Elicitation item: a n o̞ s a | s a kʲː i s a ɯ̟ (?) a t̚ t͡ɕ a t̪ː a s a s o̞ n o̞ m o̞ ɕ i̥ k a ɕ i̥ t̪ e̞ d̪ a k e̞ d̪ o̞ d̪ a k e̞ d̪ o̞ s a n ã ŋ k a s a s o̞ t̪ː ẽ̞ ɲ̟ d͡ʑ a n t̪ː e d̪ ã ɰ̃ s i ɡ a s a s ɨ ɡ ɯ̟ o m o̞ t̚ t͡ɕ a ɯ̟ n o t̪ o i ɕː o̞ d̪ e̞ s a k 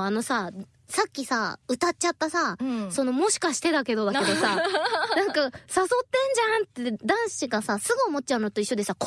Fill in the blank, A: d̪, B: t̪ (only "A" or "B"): B